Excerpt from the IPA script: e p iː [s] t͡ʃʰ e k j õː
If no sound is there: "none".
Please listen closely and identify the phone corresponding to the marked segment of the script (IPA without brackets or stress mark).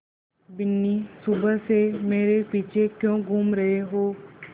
none